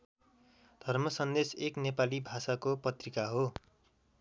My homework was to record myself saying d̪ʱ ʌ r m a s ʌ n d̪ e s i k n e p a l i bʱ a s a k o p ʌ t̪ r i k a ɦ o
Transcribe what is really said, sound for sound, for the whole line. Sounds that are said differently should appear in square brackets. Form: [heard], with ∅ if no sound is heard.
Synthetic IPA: d̪ʱ ʌ r m [ʌ] s ʌ n d̪ e s [e] k n e p a l i bʱ a s a k o p ʌ t̪ r i k a ɦ o